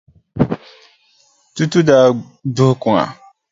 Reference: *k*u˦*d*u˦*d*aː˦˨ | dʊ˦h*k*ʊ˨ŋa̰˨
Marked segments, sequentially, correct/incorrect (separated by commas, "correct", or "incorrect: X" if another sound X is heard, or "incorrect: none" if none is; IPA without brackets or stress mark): incorrect: t, incorrect: t, correct, correct